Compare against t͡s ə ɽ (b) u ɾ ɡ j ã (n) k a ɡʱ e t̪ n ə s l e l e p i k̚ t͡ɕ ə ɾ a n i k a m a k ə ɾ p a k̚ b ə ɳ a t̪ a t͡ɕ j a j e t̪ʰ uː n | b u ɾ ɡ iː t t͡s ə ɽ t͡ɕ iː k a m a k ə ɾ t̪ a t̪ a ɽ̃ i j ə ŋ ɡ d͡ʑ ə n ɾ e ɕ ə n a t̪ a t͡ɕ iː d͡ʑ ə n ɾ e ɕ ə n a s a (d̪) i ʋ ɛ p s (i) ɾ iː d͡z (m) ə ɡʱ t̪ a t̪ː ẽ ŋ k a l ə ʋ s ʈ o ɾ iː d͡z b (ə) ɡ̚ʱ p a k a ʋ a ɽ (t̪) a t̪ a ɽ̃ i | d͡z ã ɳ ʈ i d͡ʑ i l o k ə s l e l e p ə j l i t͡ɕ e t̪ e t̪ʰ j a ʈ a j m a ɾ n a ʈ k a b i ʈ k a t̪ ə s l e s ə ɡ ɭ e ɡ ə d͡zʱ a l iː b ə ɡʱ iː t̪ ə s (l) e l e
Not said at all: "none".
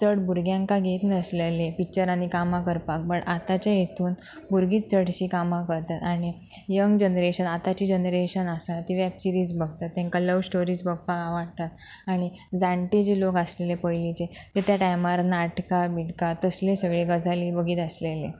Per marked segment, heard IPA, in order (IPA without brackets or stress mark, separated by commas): b, ŋ, t̪, i, b, ə, t̪, l